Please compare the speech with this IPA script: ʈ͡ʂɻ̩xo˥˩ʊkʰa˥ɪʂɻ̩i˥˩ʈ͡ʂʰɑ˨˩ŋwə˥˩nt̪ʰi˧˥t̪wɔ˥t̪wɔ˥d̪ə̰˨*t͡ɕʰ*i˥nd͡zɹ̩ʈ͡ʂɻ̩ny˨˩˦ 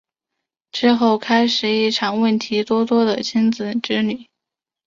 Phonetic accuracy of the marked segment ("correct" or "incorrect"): correct